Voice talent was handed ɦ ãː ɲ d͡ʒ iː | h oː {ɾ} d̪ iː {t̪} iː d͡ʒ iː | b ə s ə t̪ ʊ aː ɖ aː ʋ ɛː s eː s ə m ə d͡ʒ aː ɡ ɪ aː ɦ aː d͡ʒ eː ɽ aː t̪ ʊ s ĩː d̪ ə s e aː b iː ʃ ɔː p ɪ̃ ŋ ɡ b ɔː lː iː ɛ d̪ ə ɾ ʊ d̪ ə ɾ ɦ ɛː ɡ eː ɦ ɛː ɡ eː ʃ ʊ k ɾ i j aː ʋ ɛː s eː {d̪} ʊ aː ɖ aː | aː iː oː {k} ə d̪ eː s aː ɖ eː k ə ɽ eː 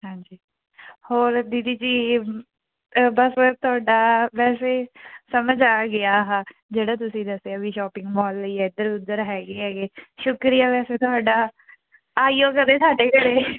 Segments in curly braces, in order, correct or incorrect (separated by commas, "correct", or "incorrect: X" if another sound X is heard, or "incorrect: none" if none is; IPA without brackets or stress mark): correct, incorrect: d̪, incorrect: t̪, correct